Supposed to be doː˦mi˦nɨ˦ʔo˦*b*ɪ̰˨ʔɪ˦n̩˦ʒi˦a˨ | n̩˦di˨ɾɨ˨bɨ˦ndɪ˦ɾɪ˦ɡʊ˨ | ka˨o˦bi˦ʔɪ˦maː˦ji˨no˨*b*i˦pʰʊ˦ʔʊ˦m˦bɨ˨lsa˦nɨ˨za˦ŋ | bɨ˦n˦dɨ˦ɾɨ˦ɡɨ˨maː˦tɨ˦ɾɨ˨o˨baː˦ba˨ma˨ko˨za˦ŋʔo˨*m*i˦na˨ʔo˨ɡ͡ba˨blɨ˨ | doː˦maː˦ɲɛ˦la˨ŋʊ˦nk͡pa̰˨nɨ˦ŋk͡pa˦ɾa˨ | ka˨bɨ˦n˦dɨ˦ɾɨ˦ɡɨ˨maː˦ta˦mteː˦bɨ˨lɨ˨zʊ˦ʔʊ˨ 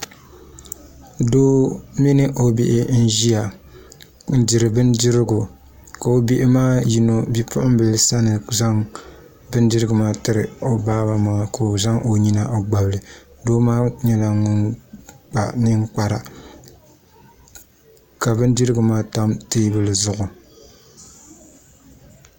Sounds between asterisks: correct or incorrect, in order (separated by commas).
correct, correct, incorrect